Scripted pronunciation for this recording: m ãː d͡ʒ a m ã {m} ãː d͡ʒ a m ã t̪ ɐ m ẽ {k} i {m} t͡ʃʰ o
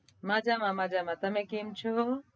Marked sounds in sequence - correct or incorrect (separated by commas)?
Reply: correct, correct, correct